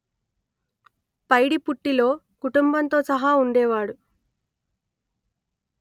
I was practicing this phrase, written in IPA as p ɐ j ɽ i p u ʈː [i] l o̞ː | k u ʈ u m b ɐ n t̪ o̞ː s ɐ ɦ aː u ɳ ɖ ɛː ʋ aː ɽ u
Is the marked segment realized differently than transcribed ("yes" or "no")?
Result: no